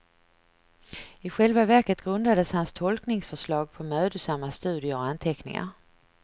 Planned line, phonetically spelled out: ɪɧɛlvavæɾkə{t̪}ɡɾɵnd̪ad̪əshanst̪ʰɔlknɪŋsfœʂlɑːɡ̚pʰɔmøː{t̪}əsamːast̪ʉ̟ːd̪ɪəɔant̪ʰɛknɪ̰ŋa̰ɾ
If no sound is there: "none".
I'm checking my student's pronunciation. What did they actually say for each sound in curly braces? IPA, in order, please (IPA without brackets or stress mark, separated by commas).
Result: t̪, d̪